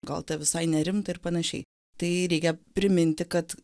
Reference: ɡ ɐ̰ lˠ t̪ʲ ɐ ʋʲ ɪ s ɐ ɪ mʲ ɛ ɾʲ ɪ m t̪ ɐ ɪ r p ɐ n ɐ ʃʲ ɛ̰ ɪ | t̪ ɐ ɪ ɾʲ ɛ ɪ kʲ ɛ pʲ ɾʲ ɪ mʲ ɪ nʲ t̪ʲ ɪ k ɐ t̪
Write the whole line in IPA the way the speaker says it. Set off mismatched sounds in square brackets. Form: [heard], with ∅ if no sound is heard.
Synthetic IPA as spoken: ɡ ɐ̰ lˠ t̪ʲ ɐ ʋʲ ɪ s ɐ ɪ [nʲ] ɛ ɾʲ ɪ m t̪ ɐ ɪ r p ɐ n ɐ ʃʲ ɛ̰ ɪ | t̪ ɐ ɪ ɾʲ ɛ ɪ kʲ ɛ pʲ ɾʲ ɪ mʲ ɪ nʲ t̪ʲ ɪ k ɐ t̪